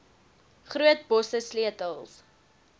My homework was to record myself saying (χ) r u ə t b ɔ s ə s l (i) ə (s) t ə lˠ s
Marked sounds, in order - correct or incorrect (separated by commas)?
correct, correct, incorrect